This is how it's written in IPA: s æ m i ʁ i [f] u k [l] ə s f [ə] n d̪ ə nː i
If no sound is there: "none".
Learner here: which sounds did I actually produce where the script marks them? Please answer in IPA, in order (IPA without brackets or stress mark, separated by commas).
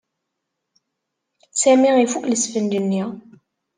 f, l, ə